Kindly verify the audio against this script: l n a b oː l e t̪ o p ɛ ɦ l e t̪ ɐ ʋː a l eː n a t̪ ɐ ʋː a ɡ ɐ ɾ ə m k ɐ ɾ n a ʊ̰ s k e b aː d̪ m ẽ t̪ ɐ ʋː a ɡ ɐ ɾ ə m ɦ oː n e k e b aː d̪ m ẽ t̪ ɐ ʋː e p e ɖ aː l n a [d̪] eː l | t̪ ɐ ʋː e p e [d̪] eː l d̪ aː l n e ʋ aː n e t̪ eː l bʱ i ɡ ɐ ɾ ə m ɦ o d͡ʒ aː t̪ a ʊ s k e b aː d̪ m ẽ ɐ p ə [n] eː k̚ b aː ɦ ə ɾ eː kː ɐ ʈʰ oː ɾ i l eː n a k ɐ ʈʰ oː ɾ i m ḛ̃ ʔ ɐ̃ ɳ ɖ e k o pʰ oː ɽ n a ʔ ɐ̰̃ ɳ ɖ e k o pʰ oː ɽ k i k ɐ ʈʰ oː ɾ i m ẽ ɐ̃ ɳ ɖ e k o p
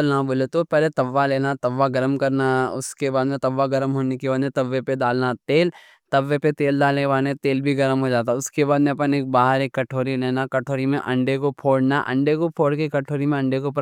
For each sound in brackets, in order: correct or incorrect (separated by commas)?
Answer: incorrect, incorrect, correct